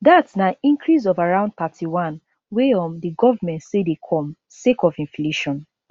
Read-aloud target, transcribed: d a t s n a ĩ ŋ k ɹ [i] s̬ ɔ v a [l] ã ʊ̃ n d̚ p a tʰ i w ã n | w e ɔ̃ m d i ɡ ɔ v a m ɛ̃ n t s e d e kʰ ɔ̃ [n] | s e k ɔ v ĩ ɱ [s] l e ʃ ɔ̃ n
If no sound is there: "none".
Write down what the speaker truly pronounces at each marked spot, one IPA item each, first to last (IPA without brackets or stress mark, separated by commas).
i, ɹ, m, f